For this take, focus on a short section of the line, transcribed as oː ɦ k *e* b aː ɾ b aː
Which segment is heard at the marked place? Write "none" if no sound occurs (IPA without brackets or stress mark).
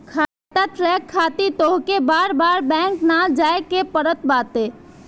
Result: e